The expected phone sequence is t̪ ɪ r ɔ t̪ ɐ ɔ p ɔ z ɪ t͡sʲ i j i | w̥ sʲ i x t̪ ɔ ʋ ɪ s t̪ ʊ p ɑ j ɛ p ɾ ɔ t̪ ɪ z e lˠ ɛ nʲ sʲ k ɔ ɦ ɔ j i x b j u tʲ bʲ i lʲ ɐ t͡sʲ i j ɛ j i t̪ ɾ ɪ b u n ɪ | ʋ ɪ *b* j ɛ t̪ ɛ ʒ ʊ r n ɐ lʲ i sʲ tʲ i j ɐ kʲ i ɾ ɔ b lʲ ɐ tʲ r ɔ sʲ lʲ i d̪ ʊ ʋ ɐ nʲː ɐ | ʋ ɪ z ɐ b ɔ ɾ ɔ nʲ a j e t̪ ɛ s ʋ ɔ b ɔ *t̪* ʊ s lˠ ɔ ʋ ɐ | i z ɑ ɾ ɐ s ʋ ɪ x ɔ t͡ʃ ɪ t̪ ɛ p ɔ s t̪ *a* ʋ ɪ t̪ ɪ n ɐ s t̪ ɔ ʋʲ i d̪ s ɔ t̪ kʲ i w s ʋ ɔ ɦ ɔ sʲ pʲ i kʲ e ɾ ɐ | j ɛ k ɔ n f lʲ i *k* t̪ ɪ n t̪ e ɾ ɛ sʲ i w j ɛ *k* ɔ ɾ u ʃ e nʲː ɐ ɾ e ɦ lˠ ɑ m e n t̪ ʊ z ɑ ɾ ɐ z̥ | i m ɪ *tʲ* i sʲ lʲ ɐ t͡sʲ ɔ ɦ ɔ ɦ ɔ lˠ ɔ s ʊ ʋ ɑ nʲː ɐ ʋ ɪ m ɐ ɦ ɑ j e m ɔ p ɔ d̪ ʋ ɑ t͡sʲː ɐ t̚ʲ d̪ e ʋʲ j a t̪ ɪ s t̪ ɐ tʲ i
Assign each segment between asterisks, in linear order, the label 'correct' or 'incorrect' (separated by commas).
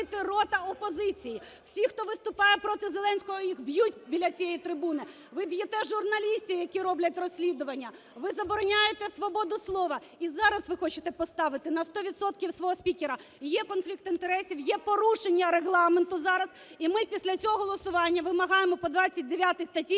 correct, incorrect, incorrect, correct, incorrect, incorrect